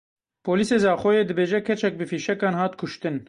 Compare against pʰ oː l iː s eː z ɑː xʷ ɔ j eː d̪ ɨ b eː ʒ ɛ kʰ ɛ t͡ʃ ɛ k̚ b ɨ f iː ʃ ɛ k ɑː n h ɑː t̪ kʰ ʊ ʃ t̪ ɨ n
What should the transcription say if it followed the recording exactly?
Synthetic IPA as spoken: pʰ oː l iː s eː z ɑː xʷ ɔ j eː d̪ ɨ b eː ʒ ɛ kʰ ɛ t͡ʃ ɛ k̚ b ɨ f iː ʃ ɛ k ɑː n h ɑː t̪ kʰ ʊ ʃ t̪ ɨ n